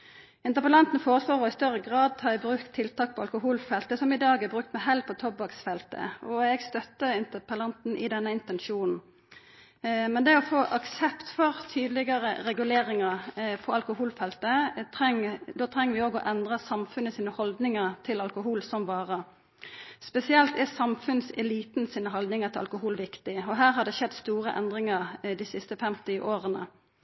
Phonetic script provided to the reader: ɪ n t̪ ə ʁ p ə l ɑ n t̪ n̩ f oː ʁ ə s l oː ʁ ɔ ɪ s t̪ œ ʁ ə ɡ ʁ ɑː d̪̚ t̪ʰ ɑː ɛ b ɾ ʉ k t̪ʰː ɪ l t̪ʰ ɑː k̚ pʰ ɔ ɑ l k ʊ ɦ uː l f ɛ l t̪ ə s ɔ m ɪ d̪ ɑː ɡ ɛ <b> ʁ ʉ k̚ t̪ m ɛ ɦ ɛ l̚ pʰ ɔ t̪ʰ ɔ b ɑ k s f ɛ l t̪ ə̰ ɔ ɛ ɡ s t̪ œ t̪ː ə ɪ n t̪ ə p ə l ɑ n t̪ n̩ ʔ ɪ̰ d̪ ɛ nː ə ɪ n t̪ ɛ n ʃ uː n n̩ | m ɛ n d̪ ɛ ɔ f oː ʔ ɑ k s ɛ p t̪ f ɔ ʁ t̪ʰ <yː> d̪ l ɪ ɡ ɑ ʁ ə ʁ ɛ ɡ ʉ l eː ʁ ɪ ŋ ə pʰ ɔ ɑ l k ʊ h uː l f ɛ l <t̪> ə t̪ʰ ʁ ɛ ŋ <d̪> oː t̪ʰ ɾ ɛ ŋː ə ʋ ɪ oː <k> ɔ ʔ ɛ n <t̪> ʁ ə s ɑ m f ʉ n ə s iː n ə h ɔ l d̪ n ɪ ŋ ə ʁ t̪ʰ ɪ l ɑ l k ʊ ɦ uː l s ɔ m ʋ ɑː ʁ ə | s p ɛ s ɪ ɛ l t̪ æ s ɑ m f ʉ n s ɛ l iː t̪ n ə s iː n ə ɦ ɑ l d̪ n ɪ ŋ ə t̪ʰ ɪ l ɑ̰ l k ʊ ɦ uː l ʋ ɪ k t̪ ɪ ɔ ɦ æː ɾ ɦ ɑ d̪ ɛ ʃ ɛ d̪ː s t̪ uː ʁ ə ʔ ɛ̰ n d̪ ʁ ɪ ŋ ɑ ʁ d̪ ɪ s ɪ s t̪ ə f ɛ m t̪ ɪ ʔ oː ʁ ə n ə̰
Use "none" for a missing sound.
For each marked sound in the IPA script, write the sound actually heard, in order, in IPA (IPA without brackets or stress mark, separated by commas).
b, yː, t̪, d̪, ɡ, d̪